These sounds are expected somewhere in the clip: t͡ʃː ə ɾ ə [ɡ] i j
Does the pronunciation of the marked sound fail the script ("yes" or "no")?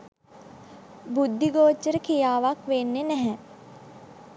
yes